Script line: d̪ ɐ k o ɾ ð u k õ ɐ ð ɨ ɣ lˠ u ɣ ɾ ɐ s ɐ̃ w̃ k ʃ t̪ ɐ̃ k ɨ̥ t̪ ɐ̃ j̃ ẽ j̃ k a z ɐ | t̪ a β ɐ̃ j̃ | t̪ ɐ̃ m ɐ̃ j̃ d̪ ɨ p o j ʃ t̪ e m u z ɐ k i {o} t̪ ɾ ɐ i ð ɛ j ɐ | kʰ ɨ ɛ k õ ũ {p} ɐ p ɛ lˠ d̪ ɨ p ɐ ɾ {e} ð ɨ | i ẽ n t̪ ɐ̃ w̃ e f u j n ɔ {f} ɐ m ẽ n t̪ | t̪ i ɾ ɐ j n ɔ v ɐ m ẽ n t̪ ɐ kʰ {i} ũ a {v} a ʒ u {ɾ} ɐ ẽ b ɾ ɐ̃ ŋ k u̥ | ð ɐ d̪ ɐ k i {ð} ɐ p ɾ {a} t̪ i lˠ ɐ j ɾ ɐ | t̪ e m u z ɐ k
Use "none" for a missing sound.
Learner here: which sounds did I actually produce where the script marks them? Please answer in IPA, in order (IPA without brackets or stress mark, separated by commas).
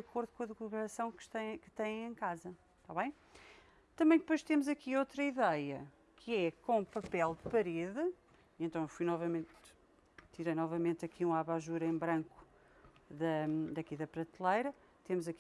o, p, e, v, i, β, ɾ, ð, ɐ